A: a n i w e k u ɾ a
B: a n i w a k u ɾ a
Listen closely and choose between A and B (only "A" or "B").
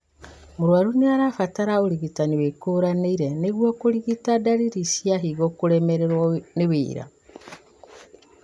A